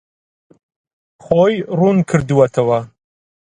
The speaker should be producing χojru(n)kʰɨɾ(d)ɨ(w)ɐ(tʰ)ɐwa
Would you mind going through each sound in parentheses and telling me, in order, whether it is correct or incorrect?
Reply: correct, correct, correct, correct

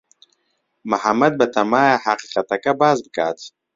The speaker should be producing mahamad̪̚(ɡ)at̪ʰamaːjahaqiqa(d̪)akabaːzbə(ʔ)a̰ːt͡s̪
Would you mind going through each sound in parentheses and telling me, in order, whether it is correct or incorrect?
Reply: incorrect: b, incorrect: t̪, incorrect: k

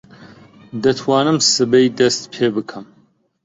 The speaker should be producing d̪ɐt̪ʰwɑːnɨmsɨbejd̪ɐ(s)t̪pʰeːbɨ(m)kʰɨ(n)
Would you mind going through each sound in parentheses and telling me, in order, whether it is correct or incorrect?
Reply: correct, incorrect: none, incorrect: m

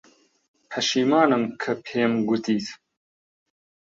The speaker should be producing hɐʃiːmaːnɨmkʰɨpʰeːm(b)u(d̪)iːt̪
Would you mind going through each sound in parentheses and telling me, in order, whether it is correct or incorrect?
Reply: incorrect: ɡ, incorrect: t̪

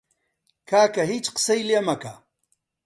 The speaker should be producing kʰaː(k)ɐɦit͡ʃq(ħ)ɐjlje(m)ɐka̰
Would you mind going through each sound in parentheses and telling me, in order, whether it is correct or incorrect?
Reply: correct, incorrect: s, correct

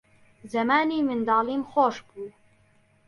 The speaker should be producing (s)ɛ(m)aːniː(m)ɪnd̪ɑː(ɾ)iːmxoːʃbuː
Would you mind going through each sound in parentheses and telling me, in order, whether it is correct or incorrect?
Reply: incorrect: z, correct, correct, incorrect: l

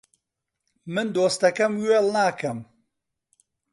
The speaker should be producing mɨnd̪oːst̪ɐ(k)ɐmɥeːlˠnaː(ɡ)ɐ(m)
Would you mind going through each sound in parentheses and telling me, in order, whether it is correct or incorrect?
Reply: correct, incorrect: k, correct

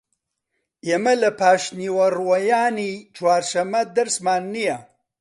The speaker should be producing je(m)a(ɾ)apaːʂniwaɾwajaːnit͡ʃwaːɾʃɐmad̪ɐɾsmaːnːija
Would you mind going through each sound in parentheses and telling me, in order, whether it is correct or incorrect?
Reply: correct, incorrect: l

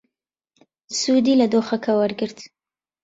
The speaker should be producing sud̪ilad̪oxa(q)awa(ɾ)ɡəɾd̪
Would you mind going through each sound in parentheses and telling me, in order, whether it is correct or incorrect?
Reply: incorrect: k, correct

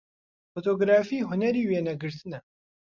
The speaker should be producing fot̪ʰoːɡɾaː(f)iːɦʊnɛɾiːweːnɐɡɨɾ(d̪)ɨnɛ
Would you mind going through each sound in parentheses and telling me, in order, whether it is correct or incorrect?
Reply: correct, incorrect: t̪

